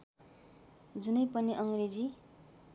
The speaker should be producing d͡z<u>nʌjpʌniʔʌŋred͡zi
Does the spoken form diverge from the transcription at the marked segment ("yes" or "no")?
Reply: no